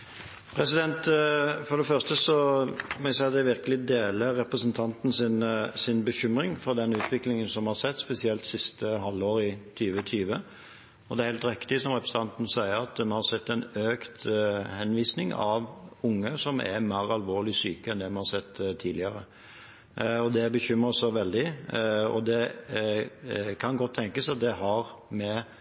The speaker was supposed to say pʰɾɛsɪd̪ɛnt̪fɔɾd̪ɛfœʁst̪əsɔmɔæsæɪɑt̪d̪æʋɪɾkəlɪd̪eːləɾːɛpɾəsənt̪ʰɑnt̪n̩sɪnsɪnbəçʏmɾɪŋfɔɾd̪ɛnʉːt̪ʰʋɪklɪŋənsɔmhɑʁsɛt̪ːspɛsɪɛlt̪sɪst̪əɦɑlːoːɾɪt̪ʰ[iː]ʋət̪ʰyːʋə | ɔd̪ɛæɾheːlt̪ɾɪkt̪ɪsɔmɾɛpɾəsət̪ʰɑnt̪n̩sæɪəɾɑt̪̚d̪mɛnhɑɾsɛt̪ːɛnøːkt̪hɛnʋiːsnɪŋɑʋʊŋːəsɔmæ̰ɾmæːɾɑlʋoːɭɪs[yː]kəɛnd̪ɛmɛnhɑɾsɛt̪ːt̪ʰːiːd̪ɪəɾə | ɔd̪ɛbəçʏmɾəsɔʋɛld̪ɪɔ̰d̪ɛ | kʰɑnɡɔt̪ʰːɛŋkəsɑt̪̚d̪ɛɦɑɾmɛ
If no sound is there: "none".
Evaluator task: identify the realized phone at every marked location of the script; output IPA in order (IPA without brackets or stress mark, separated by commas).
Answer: yː, yː